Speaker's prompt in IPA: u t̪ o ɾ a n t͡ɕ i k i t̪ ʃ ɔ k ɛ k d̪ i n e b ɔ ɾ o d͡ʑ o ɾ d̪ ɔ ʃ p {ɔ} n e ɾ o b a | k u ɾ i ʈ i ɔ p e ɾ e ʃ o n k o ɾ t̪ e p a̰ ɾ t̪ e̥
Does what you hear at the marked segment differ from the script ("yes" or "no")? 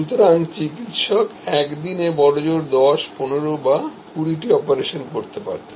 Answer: yes